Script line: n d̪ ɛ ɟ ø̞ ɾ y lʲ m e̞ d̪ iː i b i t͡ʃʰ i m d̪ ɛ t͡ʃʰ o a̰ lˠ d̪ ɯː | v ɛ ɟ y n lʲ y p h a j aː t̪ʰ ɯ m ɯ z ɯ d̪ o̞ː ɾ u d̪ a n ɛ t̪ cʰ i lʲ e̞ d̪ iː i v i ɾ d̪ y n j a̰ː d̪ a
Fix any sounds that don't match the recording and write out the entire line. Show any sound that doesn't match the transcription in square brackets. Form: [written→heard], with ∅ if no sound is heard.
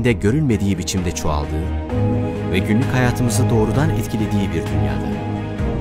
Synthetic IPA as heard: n d̪ ɛ ɟ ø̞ ɾ y lʲ m e̞ d̪ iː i b i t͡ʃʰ i m d̪ ɛ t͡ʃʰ o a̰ lˠ d̪ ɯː | v ɛ ɟ y n lʲ y [p→c] h a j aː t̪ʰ ɯ m ɯ z ɯ d̪ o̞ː ɾ u d̪ a n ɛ t̪ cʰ i lʲ e̞ d̪ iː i [v→b] i ɾ d̪ y n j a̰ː d̪ a